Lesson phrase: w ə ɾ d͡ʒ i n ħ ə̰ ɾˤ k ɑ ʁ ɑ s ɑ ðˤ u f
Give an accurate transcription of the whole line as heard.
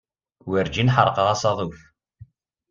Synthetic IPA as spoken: w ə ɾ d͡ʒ i n ħ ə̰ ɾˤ q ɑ ʁ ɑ s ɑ ðˤ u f